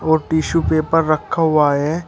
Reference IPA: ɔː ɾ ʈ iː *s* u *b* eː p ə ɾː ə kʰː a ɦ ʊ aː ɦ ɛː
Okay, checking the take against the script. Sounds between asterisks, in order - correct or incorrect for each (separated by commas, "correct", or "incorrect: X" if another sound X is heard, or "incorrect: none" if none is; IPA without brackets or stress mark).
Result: incorrect: ʃ, incorrect: p